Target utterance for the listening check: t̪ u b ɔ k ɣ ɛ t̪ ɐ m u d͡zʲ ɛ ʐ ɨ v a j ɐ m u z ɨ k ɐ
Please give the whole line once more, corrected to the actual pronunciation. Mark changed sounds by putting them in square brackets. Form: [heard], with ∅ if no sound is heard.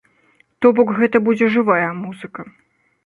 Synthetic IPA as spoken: t̪ [ɔ] b ɔ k ɣ ɛ t̪ ɐ [b] u d͡zʲ ɛ ʐ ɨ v a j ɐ m u z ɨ k ɐ